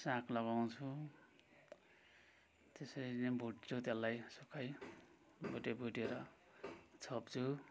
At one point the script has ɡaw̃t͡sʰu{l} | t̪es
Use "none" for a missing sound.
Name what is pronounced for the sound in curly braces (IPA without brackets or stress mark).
none